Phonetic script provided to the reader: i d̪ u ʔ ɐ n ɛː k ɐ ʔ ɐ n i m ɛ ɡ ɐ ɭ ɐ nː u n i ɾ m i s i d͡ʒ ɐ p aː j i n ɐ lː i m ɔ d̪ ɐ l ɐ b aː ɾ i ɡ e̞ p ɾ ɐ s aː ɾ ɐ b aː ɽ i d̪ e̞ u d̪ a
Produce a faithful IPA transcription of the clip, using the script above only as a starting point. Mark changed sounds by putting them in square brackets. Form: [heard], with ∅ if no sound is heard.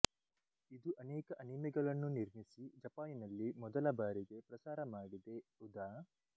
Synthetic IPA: i d̪ u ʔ ɐ n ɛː k ɐ ʔ ɐ n i m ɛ ɡ ɐ ɭ ɐ nː u n i ɾ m i s i d͡ʒ ɐ p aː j i n ɐ lː i m ɔ d̪ ɐ l ɐ b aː ɾ i ɡ e̞ p ɾ ɐ s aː ɾ ɐ [m] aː ɽ i d̪ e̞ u d̪ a